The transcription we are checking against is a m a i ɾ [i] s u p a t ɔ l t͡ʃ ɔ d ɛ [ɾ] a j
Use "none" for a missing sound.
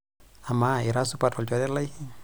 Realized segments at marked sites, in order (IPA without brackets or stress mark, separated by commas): a, l